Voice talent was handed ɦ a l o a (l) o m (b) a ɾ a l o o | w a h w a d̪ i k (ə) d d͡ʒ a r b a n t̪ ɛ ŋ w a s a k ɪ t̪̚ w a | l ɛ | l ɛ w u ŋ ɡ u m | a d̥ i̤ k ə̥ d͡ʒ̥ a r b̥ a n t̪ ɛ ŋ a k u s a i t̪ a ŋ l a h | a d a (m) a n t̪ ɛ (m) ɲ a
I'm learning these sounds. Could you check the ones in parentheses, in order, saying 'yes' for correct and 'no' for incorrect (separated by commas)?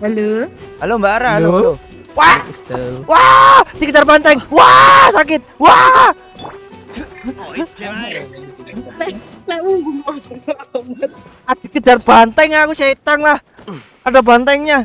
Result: yes, yes, yes, no, no